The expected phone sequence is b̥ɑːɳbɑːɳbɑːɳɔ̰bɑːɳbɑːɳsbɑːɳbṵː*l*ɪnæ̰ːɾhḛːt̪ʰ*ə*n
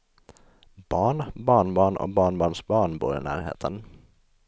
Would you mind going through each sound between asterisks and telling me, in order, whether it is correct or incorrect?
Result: incorrect, correct

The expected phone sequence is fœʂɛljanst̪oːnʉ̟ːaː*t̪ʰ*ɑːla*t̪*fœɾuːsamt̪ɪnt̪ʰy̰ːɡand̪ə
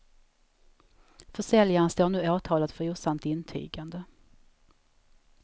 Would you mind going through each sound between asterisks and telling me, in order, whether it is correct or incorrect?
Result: correct, correct

